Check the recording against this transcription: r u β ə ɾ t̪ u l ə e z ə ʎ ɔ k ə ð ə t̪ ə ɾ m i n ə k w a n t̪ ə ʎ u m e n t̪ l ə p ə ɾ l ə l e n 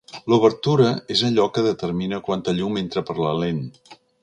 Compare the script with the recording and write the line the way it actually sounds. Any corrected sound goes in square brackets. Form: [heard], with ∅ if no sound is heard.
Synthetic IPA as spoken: [l] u β ə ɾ t̪ u [ɾ] ə e z ə ʎ ɔ k ə ð ə t̪ ə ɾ m i n ə k w a n t̪ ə ʎ u m e n t̪ [ɾ] ə p ə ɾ l ə l e n

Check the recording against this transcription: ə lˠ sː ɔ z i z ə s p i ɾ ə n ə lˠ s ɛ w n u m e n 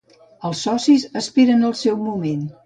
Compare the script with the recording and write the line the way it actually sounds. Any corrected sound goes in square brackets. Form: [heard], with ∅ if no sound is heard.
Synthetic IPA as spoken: ə lˠ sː ɔ [s] i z ə s p i ɾ ə n ə lˠ s ɛ w [m] u m e n

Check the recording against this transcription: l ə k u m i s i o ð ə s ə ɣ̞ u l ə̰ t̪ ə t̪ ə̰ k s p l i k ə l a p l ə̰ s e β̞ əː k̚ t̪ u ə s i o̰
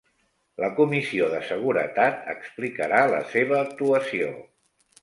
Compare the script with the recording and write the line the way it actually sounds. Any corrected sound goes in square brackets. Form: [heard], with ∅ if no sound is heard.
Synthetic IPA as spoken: l ə k u m i s i o ð ə s ə ɣ̞ u [ɾ] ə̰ t̪ [a] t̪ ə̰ k s p l i k ə [ɾ] a [∅] l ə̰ s e β̞ əː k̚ t̪ u ə s i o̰

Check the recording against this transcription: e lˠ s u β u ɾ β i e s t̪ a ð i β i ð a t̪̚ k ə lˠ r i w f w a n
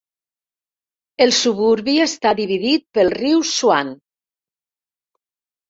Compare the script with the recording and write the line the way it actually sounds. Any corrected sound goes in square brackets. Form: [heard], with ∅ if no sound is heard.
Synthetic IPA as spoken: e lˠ s u β u ɾ β i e s t̪ a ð i β i ð [i] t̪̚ [p] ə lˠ r i w [s] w a n

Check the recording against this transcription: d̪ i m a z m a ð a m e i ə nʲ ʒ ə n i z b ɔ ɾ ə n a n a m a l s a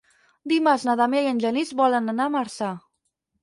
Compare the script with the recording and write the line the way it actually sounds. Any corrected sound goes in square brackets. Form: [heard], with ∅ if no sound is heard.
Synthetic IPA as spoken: d̪ i m a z [n] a ð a m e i ə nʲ ʒ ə n i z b ɔ [l] ə n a n a m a [ɾ] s a

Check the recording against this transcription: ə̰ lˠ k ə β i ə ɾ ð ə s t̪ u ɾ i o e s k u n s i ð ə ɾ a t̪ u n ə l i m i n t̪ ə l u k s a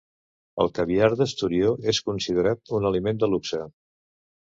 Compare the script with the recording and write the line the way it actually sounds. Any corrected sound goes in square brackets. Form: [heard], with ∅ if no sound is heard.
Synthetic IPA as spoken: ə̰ lˠ k ə β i [a] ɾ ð ə s t̪ u ɾ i o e s k u n s i ð ə ɾ a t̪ u n ə l i m [e] n [d̪] ə l u k s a

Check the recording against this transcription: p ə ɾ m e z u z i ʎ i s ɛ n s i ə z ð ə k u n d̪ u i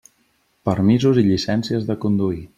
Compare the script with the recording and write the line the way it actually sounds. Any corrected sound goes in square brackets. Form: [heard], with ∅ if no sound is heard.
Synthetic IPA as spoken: p ə ɾ m [i] z u z i ʎ i s ɛ n s i ə z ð ə k u n d̪ u i

